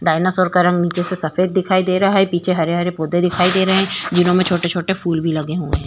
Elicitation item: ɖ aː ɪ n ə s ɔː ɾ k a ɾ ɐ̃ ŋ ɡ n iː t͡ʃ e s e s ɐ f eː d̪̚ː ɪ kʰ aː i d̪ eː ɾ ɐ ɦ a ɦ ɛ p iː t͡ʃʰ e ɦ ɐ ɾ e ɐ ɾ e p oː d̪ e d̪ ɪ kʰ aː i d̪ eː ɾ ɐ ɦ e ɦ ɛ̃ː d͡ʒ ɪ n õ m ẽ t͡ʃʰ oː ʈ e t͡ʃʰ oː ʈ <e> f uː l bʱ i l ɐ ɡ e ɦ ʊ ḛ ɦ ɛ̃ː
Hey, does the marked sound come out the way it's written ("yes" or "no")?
yes